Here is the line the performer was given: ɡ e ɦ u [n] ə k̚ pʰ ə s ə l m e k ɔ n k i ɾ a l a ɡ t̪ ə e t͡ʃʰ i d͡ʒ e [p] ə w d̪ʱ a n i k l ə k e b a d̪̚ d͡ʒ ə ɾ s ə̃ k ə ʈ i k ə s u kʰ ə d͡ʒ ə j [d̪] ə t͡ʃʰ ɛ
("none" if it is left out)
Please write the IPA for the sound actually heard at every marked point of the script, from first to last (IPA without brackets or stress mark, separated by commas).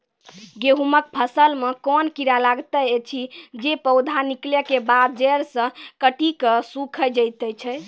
m, p, t̪